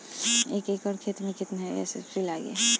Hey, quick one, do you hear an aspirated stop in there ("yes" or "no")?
yes